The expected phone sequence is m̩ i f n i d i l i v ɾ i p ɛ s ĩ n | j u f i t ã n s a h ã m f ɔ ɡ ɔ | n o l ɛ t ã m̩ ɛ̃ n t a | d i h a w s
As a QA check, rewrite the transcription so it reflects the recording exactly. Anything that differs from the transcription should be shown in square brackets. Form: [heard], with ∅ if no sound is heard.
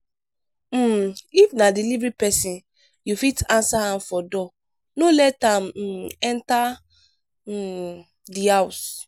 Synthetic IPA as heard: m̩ i f n [a] d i l i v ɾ i p ɛ s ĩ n | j u f i t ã n s a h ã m f ɔ [d] ɔ | n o l ɛ t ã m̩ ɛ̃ n t a | d i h a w s

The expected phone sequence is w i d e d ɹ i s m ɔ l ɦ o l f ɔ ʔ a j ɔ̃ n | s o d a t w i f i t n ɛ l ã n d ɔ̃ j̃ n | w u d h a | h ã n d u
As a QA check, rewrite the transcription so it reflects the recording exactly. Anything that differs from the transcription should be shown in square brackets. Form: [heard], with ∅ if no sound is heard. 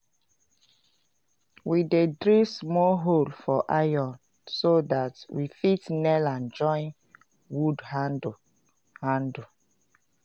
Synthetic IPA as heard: w i d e d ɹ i s m ɔ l ɦ o l f ɔ ʔ a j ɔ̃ n | s o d a t w i f i t n ɛ l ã n [d͡ʒ] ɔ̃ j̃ n | w u d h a | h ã n d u

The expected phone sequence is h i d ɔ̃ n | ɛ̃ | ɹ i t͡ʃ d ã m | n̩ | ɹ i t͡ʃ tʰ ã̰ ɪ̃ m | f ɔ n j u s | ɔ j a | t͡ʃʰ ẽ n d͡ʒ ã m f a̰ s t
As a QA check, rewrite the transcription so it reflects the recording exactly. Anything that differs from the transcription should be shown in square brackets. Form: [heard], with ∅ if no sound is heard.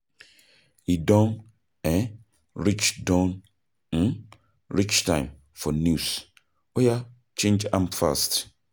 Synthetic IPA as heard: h i d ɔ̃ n | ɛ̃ | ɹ i t͡ʃ d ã [n] | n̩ | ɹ i t͡ʃ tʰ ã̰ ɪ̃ m | f ɔ n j u s | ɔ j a | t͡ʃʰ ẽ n d͡ʒ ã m f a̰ s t

